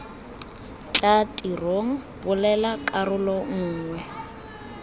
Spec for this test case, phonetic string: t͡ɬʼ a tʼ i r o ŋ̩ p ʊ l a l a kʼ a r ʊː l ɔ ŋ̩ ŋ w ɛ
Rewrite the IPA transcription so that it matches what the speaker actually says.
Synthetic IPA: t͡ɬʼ a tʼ i r o ŋ̩ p ʊ l ɛ l a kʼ a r ʊ l ɔ ŋ̩ː ŋ w ɛ